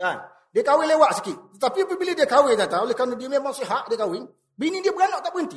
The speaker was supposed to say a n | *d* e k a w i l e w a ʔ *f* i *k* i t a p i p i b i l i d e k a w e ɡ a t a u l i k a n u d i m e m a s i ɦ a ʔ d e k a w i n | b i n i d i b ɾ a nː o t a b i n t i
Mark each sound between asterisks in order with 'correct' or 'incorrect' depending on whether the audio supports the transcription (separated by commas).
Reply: correct, incorrect, correct